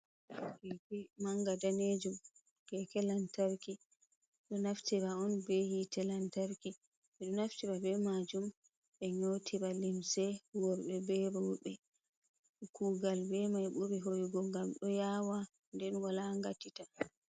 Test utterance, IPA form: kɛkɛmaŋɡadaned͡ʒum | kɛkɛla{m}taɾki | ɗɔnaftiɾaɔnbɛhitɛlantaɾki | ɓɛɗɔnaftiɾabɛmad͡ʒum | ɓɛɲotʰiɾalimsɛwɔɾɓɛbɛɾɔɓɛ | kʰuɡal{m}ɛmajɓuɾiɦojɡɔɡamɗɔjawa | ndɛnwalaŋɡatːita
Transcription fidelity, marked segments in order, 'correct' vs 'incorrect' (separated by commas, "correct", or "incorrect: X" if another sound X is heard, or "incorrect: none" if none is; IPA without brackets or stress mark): incorrect: n, incorrect: b